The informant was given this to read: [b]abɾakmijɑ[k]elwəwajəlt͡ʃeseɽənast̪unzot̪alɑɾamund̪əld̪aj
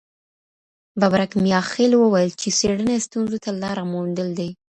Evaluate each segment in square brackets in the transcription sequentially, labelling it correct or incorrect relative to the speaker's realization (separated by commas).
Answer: correct, incorrect